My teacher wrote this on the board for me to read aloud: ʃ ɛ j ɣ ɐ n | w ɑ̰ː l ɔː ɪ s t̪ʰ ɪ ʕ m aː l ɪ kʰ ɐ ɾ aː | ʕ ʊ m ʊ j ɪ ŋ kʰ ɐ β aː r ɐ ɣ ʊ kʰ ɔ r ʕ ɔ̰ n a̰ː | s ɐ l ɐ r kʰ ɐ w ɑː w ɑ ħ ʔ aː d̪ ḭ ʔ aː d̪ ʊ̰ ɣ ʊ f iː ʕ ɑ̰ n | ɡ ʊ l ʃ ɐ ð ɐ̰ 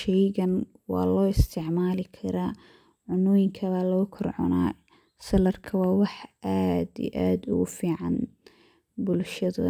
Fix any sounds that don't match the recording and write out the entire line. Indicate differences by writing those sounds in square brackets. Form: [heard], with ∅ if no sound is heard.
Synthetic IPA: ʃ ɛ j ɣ ɐ n | w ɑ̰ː l ɔː ɪ s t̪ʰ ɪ ʕ m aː l ɪ kʰ ɐ ɾ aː | ʕ ʊ [n] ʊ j ɪ ŋ kʰ ɐ β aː [l] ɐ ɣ ʊ kʰ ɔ r ʕ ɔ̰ n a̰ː | s ɐ l ɐ r kʰ ɐ w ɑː w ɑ ħ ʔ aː d̪ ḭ ʔ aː d̪ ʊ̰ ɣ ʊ f iː ʕ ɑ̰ n | [b] ʊ l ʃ ɐ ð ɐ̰